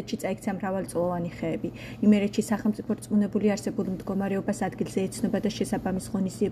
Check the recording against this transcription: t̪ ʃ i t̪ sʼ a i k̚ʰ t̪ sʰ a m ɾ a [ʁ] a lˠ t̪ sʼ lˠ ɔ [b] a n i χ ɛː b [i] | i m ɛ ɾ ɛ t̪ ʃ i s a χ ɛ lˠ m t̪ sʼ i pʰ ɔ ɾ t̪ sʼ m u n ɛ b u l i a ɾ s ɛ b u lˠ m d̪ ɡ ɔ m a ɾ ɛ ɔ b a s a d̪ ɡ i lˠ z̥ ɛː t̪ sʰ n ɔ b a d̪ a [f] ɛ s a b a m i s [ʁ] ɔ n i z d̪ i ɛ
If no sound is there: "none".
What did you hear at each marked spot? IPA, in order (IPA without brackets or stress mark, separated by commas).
v, v, i, ʃ, ʁ